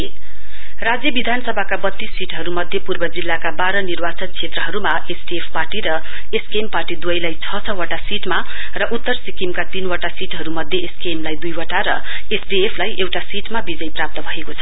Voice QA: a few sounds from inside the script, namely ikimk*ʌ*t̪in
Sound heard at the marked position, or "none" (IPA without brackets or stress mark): a